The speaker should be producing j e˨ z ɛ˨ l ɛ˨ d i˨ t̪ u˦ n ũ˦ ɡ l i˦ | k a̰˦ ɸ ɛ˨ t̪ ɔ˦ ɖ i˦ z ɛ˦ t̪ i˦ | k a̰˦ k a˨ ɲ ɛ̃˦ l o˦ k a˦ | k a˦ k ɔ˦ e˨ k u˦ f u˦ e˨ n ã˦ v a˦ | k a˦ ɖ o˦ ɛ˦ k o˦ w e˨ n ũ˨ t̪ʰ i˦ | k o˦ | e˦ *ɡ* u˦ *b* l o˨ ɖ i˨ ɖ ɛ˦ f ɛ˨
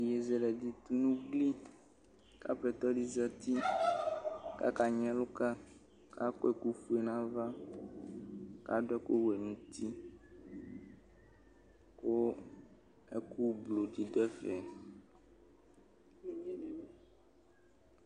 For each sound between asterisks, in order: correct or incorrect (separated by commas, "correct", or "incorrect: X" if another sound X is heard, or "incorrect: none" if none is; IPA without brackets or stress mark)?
incorrect: k, correct